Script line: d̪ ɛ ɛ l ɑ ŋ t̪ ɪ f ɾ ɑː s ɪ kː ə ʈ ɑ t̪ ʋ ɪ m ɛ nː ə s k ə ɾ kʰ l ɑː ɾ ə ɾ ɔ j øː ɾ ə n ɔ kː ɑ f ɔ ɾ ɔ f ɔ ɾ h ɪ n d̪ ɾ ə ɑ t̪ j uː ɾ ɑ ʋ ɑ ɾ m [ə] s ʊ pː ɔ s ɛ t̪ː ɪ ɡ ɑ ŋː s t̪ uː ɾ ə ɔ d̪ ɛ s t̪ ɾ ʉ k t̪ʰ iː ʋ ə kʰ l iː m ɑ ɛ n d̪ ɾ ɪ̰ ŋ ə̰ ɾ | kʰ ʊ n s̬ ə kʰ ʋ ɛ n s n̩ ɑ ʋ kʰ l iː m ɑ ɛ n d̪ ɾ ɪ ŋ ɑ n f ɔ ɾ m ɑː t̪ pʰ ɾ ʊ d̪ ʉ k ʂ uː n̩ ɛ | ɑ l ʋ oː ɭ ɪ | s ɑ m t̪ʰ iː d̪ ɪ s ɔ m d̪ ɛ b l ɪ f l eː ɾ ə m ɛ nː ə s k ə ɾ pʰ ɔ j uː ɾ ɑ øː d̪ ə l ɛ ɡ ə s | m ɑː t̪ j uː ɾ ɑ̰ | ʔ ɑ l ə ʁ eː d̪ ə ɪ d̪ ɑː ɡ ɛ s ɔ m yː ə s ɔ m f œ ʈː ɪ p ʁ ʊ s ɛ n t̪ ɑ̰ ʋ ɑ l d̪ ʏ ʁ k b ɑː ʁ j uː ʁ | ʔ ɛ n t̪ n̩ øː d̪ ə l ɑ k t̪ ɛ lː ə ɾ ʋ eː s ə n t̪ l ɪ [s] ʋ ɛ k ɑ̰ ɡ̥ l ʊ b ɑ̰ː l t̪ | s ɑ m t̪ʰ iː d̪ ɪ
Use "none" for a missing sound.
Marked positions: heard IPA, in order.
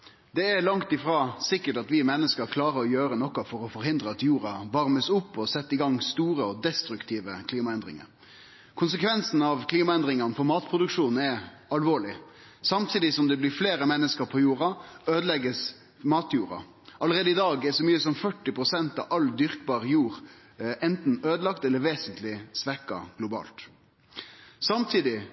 ə, s

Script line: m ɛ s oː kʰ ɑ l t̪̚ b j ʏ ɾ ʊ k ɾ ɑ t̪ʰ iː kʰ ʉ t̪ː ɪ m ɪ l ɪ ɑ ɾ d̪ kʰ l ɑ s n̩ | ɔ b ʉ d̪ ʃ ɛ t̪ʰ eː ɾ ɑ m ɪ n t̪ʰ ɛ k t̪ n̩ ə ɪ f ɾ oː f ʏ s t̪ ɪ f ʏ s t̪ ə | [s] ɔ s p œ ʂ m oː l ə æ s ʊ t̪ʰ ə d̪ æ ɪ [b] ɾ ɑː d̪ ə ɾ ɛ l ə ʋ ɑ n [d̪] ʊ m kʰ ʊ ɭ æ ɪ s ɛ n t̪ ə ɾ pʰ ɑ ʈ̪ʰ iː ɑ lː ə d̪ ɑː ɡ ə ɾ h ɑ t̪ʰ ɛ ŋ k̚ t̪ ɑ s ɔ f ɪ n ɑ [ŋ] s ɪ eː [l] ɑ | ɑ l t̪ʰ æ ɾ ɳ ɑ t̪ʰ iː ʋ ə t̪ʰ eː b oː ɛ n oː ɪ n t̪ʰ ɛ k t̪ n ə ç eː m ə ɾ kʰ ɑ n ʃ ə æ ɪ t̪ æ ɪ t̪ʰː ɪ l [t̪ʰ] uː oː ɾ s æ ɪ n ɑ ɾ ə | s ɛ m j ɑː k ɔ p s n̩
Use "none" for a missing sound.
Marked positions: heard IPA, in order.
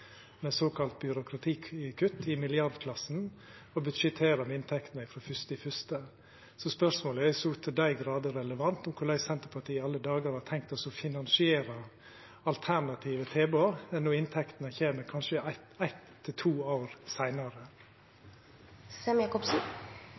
s, ɡ, t̪, n, ɾ, t̪ʰ

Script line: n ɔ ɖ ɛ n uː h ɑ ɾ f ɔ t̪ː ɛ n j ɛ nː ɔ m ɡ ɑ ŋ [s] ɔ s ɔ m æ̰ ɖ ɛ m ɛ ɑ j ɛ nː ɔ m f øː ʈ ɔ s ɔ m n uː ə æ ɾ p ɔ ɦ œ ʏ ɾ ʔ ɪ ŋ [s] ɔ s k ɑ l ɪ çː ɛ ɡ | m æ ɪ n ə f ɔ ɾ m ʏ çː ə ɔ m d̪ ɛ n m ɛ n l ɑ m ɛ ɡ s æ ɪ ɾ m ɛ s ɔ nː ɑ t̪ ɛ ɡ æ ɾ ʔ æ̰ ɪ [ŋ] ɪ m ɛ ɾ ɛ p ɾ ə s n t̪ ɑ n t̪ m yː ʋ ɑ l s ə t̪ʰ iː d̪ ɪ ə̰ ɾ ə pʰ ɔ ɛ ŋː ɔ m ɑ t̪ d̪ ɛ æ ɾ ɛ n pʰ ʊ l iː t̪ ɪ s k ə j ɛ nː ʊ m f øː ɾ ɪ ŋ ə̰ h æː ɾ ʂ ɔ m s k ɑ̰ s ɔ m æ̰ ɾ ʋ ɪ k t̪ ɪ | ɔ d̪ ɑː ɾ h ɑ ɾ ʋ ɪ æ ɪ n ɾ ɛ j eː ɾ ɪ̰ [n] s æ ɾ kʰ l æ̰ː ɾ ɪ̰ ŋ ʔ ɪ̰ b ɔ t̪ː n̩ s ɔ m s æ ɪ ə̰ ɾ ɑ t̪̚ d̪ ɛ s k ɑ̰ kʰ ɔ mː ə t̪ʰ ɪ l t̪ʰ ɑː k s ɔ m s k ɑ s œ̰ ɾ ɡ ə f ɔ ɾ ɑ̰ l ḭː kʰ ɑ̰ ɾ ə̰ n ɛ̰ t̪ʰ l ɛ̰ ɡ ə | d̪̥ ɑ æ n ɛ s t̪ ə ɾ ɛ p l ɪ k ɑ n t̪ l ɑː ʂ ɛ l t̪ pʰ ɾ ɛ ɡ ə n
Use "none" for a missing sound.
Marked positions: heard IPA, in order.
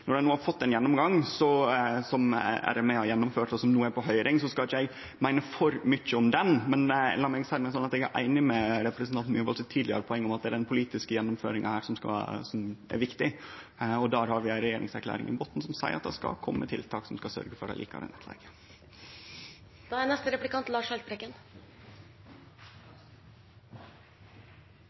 s, s, n, ŋ

